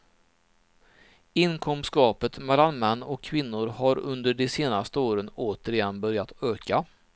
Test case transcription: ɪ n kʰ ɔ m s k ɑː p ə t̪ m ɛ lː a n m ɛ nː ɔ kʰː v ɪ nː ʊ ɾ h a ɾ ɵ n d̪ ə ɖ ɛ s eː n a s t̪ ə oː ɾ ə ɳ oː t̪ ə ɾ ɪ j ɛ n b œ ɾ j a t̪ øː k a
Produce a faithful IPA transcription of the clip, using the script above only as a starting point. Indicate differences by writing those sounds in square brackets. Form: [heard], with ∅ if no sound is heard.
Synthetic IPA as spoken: ɪ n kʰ ɔ m s k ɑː p ə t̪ m ɛ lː a n m ɛ nː ɔ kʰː v ɪ nː ʊ ɾ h a ɾ ɵ n d̪ ə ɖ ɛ s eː n a s t̪ ə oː ɾ ə [n] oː t̪ ə ɾ ɪ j ɛ n b œ ɾ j a t̪ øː k a

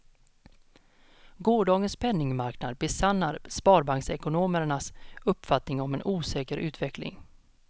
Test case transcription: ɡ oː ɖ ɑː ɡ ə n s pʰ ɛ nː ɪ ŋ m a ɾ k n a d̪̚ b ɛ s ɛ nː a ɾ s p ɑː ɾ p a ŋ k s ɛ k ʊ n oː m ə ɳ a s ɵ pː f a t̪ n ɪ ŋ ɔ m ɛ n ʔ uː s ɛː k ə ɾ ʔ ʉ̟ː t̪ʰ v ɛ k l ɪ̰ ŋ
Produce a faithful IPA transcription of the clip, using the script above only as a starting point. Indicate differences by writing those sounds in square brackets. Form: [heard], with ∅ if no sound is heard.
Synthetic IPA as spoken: ɡ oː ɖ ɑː ɡ ə n s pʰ ɛ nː ɪ ŋ m a ɾ k n a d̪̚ b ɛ s [a] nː a ɾ s p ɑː ɾ [b] a ŋ k s ɛ k ʊ n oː m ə ɳ a s ɵ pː f a t̪ n ɪ ŋ ɔ m ɛ n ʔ uː s ɛː k ə ɾ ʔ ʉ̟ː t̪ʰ v ɛ k l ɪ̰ ŋ

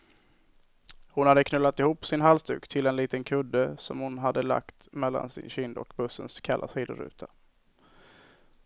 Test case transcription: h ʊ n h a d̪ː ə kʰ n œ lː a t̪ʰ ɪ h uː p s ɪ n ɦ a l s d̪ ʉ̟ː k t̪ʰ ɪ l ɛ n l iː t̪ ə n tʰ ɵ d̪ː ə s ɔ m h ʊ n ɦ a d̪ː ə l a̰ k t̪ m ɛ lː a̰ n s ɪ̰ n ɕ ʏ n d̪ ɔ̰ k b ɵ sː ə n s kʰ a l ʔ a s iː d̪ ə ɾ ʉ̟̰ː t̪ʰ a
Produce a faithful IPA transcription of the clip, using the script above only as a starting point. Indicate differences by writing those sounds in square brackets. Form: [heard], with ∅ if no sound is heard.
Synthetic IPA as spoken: h ʊ n h a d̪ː ə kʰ n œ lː a [t̪] ɪ h uː p s ɪ n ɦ a l s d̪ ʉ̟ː k t̪ʰ ɪ l ɛ n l iː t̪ ə n [kʰ] ɵ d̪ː ə s ɔ m h ʊ n ɦ a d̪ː ə l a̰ k t̪ m ɛ lː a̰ n s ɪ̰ n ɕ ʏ n d̪ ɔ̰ k b ɵ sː ə n s kʰ a l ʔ a s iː d̪ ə ɾ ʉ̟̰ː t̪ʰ a

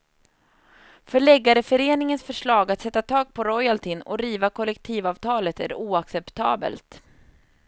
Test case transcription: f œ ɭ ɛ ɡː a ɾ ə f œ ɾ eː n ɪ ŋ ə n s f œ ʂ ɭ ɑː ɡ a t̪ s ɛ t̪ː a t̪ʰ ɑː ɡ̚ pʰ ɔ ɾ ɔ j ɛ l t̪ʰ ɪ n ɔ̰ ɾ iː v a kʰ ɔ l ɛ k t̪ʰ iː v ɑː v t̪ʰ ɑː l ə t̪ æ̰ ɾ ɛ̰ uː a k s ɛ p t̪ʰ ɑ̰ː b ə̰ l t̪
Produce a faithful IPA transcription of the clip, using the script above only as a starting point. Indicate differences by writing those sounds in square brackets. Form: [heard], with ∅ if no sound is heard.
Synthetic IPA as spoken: f œ ɭ ɛ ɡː a ɾ ə f œ ɾ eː n ɪ ŋ ə n s f œ ʂ ɭ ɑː ɡ a t̪ s ɛ t̪ː a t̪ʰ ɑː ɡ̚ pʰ ɔ ɾ ɔ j [a] l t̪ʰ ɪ n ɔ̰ ɾ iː v a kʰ ɔ l ɛ k t̪ʰ iː v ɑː v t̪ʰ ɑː l ə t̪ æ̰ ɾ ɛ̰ uː a k s ɛ p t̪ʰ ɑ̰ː b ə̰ l t̪

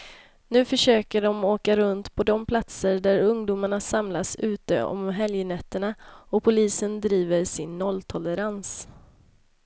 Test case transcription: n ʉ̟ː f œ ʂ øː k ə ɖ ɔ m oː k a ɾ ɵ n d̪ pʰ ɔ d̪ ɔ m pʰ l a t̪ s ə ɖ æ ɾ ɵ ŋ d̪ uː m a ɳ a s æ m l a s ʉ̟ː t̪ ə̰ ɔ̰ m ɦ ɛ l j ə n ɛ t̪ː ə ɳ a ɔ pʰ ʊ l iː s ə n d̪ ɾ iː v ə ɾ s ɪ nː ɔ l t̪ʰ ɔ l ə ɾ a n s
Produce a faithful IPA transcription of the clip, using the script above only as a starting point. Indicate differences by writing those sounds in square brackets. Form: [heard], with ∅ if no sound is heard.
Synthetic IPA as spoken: n ʉ̟ː f œ ʂ øː k ə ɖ ɔ m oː k a ɾ ɵ n [t̪] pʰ ɔ d̪ ɔ m pʰ l a t̪ s ə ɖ æ ɾ ɵ ŋ d̪ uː m a ɳ a s [a] m l a s ʉ̟ː t̪ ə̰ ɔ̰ m ɦ ɛ l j ə n ɛ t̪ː ə ɳ a ɔ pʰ ʊ l iː s ə n d̪ ɾ iː v ə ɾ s ɪ nː ɔ l t̪ʰ ɔ l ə ɾ a n s

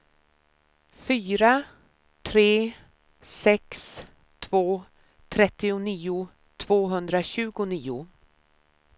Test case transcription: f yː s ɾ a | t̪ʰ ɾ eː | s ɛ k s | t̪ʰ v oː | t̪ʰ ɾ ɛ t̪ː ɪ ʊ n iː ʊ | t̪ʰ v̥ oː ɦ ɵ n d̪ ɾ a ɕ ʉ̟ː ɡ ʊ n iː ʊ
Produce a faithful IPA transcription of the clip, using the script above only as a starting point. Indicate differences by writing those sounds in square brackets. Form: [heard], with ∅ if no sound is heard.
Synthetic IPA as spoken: f yː [∅] ɾ a | t̪ʰ ɾ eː | s ɛ k s | t̪ʰ v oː | t̪ʰ ɾ ɛ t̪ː ɪ ʊ n iː ʊ | t̪ʰ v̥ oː ɦ ɵ n d̪ ɾ a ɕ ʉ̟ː ɡ ʊ n iː ʊ

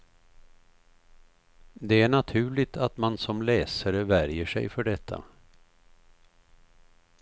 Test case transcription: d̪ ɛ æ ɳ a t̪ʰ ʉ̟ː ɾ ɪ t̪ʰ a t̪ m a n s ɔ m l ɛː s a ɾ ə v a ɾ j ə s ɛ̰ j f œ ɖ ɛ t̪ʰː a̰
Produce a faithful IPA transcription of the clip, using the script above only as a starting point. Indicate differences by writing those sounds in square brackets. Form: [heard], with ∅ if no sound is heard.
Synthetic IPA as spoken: d̪ ɛ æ ɳ a t̪ʰ ʉ̟ː [ɭ] ɪ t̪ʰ a t̪ m a n s ɔ m l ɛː s a ɾ ə v [æ] ɾ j ə [ʂ] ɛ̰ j f œ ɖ ɛ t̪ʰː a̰

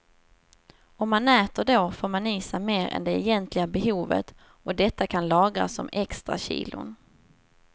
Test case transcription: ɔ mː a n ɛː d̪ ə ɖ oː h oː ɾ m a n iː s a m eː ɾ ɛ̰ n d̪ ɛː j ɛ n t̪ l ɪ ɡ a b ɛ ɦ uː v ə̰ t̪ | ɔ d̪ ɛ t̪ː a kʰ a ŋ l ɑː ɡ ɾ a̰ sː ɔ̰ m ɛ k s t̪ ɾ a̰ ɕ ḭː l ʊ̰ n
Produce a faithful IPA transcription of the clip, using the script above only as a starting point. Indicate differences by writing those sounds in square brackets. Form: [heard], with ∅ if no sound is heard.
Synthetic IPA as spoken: ɔ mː a n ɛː [t̪] ə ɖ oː [f] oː ɾ m a n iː s a m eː ɾ ɛ̰ n d̪ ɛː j ɛ n t̪ l ɪ ɡ a b ɛ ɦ uː v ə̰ t̪ | ɔ d̪ ɛ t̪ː a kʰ a [n] l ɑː ɡ ɾ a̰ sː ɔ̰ m ɛ k s t̪ ɾ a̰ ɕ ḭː l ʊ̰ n

